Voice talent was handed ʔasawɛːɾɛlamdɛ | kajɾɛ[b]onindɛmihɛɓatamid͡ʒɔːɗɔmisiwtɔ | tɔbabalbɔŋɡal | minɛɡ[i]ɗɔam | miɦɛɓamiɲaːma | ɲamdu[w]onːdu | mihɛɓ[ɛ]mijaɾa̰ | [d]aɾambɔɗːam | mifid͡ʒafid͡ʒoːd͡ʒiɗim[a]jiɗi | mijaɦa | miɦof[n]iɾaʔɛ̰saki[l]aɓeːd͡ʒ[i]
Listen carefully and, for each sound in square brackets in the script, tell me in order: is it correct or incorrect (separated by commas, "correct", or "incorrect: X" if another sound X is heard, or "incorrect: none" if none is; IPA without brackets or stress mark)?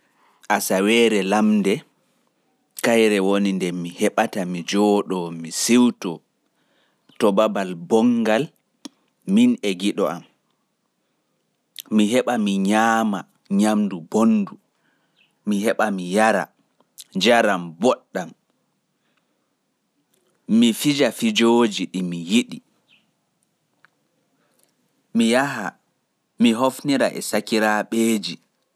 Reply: incorrect: w, correct, incorrect: b, incorrect: a, incorrect: d͡ʒ, incorrect: i, correct, incorrect: ɾ, correct